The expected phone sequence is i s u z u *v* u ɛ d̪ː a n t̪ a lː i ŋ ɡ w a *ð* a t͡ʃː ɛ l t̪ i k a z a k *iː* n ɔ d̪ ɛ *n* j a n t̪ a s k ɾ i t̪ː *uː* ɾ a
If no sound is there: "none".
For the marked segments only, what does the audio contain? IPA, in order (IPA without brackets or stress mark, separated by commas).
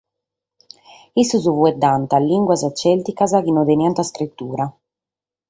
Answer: v, z, i, n, uː